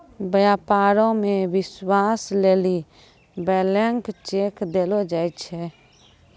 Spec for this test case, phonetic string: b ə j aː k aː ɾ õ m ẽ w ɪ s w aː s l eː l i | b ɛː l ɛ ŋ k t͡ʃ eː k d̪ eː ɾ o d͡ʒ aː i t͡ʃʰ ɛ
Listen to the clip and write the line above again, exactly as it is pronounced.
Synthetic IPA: b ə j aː p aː ɾ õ m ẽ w ɪ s w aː s l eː l i | b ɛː l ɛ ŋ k t͡ʃ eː k d̪ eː l o d͡ʒ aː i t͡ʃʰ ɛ

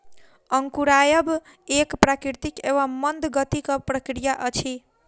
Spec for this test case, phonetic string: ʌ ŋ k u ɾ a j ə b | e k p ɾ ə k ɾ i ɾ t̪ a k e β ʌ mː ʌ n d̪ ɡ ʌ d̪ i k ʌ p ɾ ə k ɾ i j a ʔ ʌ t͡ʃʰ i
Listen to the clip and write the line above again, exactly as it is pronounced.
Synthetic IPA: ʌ ŋ k u ɾ a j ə b | e k p ɾ a k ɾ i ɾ t̪ i k e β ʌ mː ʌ n d̪ ɡ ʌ t̪ i k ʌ p ɾ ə k ɾ i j a ʔ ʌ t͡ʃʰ i

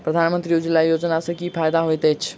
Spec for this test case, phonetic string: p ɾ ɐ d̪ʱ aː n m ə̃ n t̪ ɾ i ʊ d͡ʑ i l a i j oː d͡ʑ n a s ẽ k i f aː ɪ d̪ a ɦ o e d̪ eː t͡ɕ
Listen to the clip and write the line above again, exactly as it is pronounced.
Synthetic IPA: p ɾ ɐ d̪ʱ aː n m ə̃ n t̪ ɾ i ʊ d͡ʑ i l a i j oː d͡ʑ n a s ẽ k i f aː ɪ d̪ a ɦ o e t̪ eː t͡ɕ

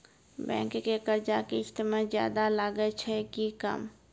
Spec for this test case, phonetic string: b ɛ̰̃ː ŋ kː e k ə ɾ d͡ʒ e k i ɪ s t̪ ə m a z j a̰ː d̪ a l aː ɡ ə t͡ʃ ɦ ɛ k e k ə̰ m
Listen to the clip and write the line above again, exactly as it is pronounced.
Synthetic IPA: b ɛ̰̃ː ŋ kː e k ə ɾ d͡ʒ a k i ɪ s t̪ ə m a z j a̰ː d̪ a l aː ɡ ə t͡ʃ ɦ ɛ k i k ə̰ m

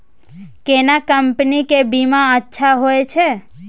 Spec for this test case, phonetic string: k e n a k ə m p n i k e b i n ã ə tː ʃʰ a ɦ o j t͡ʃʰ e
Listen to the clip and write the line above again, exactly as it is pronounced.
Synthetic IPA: k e n a k ə m p n i k e b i m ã ə tː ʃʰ a ɦ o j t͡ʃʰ e

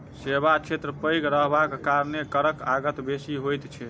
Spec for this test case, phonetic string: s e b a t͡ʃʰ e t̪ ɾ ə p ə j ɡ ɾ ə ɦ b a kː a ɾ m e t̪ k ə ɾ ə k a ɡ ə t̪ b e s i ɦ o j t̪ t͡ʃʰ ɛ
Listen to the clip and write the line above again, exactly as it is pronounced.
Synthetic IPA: s e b a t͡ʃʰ e t̪ ɾ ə p ə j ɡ ɾ ə ɦ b a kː a ɾ n e k ə ɾ ə k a ɡ ə t̪ b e s i ɦ o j t̪ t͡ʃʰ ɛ

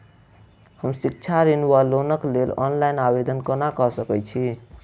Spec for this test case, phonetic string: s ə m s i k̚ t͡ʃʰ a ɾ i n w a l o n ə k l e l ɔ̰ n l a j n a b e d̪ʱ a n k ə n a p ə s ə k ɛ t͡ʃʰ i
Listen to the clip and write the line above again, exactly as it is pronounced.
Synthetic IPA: h ə m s i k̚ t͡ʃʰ a ɾ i n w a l o n ə k l e l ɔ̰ n l a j n a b e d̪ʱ ə n k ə n a k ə s ə k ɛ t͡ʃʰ i

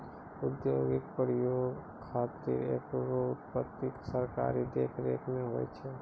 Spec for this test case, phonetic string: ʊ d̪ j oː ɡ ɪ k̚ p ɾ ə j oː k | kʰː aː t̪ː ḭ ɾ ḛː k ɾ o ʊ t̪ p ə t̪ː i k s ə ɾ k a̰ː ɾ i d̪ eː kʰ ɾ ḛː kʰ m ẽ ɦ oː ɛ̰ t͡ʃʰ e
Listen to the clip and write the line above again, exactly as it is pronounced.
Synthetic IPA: ʊ d̪ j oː ɡ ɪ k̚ p ɾ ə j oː ɡ | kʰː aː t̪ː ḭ ɾ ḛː k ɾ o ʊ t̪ p ə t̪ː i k s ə ɾ k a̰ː ɾ i d̪ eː kʰ ɾ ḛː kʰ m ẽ ɦ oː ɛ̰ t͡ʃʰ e

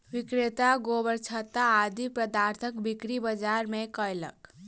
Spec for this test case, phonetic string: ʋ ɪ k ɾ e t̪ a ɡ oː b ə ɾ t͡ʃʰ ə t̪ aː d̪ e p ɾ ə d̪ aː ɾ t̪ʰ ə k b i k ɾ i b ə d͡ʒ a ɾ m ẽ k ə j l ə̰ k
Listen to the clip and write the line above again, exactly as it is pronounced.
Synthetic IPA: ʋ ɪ k ɾ e t̪ a ɡ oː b ə ɾ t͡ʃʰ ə t̪ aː d̪ i p ɾ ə d̪ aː ɾ t̪ʰ ə k b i k ɾ i b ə d͡ʒ a ɾ m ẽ k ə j l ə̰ k

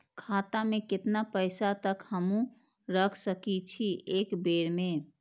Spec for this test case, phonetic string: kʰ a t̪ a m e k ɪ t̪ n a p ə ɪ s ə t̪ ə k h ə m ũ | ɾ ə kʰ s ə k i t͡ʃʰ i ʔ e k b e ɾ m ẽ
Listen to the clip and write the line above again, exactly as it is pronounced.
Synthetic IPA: kʰ a t̪ a m e k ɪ t̪ n a p ə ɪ s a t̪ ə k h ə m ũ | ɾ ə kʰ s ə k i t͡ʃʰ i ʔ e k b e ɾ m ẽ

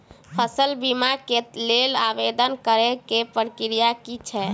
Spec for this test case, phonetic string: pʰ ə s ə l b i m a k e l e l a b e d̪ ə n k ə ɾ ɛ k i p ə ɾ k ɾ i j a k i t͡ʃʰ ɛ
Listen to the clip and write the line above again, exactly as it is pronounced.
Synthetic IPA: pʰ ə s ə l b i m a k e l e l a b e d̪ ə n k ə ɾ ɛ k e p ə ɾ k ɾ i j a k i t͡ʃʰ ɛ

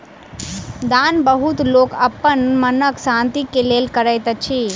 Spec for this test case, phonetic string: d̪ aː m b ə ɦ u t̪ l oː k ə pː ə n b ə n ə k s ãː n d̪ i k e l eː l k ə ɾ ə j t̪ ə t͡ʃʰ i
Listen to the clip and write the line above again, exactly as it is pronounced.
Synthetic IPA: d̪ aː n b ə ɦ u t̪ l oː k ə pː ə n m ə n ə k s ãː n t̪ i k e l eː l k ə ɾ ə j t̪ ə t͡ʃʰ i

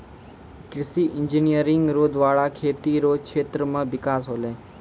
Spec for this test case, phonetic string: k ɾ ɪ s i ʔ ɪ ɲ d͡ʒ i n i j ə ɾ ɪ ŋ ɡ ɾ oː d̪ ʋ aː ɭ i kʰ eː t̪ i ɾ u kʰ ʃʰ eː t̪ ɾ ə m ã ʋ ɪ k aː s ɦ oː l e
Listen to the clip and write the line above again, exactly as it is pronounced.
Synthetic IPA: k ɾ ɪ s i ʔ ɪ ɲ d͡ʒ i n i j ə ɾ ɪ ŋ ɡ ɾ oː d̪ ʋ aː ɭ a kʰ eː t̪ i ɾ o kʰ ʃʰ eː t̪ ɾ ə m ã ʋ ɪ k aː s ɦ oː l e

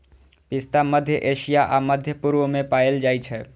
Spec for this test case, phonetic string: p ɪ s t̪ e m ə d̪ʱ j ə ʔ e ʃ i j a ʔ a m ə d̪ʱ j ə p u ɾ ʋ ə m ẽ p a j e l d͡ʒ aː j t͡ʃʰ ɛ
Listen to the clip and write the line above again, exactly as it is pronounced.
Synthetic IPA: p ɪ s t̪ a m ə d̪ʱ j ə ʔ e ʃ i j a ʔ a m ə d̪ʱ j ə p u ɾ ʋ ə m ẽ p a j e l d͡ʒ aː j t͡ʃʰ ɛ

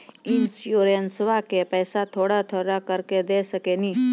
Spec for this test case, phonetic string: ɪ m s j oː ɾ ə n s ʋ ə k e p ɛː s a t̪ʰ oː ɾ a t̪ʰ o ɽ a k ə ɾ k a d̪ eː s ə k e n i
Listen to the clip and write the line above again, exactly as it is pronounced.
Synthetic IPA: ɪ n s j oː ɾ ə n s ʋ a k e p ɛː s a t̪ʰ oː ɽ a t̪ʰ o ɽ a k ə ɾ k e d̪ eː s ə k e n i

